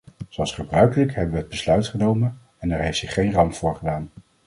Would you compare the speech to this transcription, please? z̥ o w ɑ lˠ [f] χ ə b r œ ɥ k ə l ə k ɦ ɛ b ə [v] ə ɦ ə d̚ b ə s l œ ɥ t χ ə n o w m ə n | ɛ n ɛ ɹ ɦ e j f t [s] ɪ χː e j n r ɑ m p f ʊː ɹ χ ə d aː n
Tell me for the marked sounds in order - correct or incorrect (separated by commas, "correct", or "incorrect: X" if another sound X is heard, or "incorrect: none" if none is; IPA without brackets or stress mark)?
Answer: incorrect: s, incorrect: ʋ, correct